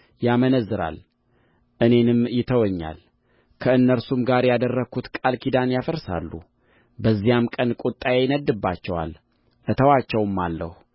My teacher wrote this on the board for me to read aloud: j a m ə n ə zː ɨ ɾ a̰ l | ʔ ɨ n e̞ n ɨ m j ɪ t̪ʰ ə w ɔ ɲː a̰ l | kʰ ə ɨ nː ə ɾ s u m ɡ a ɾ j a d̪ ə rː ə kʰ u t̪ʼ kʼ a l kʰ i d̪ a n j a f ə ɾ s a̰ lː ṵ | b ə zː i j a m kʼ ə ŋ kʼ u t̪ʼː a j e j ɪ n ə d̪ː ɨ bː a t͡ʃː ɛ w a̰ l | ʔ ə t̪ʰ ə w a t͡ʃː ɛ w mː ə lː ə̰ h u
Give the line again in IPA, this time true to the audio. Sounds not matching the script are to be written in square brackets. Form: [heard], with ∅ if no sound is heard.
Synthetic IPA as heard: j a m ə n ə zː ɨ ɾ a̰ l | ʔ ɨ n e̞ n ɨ m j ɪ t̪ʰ ə w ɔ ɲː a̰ l | kʰ ə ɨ nː ə ɾ s u m ɡ a ɾ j a d̪ ə rː ə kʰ u [t̪] kʼ a l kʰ i d̪ a n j a f ə ɾ s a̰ lː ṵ | b ə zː i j a m kʼ ə [n] kʼ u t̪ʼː a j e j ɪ n ə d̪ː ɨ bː a t͡ʃː ɛ w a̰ l | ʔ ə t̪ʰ ə w a t͡ʃː ɛ w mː [a] lː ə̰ h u

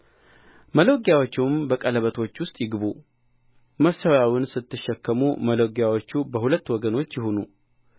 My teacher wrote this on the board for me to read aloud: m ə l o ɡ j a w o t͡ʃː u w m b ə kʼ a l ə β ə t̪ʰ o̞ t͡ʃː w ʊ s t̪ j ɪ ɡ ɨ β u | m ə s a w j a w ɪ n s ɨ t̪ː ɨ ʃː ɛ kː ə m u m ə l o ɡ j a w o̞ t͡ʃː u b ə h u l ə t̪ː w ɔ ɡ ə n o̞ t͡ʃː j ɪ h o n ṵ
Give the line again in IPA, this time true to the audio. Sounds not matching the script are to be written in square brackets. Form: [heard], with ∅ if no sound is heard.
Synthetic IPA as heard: m ə l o ɡ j a w o t͡ʃː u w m b ə kʼ [ə] l ə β ə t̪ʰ o̞ t͡ʃː w ʊ s [t̪ʼ] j ɪ ɡ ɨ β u | m ə s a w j a w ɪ n s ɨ t̪ː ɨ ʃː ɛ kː ə m u m ə l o ɡ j a w o̞ t͡ʃː u b ə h u l ə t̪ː w ɔ ɡ ə n o̞ t͡ʃː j ɪ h o n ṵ

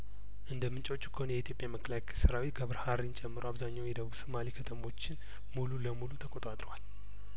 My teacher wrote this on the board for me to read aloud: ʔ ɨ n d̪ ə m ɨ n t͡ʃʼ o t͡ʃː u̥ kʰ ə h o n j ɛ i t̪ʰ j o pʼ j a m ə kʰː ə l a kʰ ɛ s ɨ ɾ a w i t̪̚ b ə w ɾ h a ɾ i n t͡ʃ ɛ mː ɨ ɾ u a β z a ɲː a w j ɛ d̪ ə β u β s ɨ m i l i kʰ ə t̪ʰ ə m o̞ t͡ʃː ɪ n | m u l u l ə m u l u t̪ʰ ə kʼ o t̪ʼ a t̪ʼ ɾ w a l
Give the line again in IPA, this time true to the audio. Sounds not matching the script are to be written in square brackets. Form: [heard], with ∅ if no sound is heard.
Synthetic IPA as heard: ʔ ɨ n d̪ ə m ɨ n t͡ʃʼ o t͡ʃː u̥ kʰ ə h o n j ɛ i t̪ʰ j o pʼ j a m ə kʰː ə l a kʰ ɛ s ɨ ɾ a w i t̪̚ [ɡ] ə [β] ɾ h a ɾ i n [t͡ʃʼ] ɛ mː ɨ ɾ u a β z a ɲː a w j ɛ d̪ ə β u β s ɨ m [a] l i kʰ ə t̪ʰ ə m o̞ t͡ʃː ɪ n | m u l u l ə m u l u t̪ʰ ə kʼ o t̪ʼ a t̪ʼ ɾ w a l

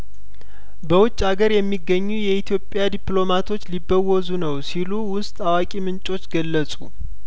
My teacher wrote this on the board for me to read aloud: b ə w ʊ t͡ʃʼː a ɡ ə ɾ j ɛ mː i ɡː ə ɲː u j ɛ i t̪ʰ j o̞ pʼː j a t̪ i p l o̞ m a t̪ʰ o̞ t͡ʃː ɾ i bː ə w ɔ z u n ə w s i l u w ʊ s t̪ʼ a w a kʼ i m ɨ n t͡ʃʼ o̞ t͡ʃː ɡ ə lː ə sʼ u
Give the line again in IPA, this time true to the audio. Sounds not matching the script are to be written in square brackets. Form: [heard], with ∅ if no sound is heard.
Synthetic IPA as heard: b ə w ʊ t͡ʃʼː a ɡ ə ɾ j ɛ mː i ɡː ə ɲː u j ɛ i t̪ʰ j o̞ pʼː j a [d̪] i p l o̞ m a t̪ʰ o̞ t͡ʃː [l] i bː ə w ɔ z u n ə w s i l u w ʊ s t̪ʼ a w a kʼ i m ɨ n t͡ʃʼ o̞ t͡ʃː ɡ ə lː ə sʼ u

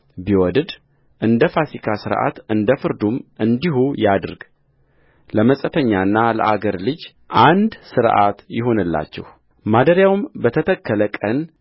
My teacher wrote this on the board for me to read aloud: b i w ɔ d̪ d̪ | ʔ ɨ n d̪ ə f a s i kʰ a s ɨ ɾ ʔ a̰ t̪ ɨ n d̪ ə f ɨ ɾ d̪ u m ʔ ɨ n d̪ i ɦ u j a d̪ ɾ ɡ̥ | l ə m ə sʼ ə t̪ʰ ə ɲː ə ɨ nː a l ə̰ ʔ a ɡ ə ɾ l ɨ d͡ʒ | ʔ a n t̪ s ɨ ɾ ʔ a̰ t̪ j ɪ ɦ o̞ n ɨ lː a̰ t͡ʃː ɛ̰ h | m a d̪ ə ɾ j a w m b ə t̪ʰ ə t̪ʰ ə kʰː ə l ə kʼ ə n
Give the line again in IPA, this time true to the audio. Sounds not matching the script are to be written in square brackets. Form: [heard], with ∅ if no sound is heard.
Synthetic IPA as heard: b i w ɔ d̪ d̪ | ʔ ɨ n d̪ ə f a s i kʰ a s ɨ ɾ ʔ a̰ t̪ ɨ n d̪ ə f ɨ ɾ d̪ u m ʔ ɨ n d̪ i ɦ u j a d̪ ɾ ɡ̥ | l ə m ə sʼ ə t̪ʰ ə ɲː [a] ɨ nː a l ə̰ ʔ a ɡ ə ɾ l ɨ d͡ʒ | ʔ a n [d̪] s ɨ ɾ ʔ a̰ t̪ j ɪ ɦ o̞ n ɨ lː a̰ t͡ʃː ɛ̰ h | m a d̪ ə ɾ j a w m b ə t̪ʰ ə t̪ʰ ə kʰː ə l ə kʼ ə n

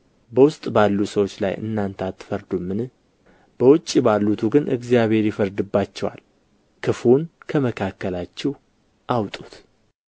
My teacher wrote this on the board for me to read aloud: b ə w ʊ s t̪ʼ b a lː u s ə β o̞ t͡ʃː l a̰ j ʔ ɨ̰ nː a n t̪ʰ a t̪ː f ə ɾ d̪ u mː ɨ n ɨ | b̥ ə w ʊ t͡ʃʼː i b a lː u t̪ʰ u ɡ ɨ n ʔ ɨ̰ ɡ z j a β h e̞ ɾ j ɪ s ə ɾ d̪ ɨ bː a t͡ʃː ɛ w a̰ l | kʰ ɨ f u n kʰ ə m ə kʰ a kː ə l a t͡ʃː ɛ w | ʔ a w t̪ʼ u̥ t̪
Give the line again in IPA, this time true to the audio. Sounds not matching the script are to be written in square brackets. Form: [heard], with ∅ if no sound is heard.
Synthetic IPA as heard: b ə w ʊ s t̪ʼ b a lː u s ə [w] o̞ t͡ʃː l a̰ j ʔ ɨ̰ nː a n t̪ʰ a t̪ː f ə ɾ d̪ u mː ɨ n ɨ | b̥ ə w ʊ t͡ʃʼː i b a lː u t̪ʰ u ɡ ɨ n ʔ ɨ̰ ɡ z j a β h e̞ ɾ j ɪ [f] ə ɾ d̪ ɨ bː a t͡ʃː ɛ w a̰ l | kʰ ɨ f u n kʰ ə m ə kʰ a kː ə l a t͡ʃː ɛ w | ʔ a w t̪ʼ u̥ t̪

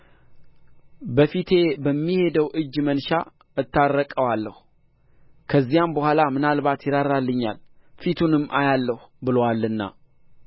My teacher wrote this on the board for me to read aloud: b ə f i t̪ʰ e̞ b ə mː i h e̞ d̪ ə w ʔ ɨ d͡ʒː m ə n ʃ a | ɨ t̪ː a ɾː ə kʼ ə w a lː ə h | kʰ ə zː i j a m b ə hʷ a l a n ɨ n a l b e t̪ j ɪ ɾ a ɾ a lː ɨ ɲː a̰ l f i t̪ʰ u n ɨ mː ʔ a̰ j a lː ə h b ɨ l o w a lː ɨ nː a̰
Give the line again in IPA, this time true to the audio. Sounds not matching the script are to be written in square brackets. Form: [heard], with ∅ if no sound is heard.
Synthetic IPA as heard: b ə f i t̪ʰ e̞ b ə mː i h e̞ d̪ ə w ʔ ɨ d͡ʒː m ə n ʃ a | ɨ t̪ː a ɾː ə kʼ ə w a lː ə h | kʰ ə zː i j a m b ə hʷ a l a [m] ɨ n a l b [a] t̪ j ɪ ɾ a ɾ a lː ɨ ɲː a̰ l f i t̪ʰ u n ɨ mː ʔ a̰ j a lː ə h b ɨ l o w a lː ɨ nː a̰

